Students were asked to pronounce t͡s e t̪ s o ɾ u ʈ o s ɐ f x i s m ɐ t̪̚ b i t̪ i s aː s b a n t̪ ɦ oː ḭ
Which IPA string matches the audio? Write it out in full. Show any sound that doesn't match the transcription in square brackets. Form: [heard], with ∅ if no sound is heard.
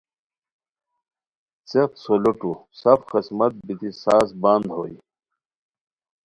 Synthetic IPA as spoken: t͡s e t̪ s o [l] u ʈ [u] s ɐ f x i s m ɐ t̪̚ b i t̪ i s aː s b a n [d̪] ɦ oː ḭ